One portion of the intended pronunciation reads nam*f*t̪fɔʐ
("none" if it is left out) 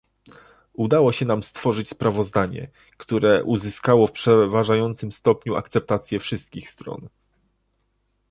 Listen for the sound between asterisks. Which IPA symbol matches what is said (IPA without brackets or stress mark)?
s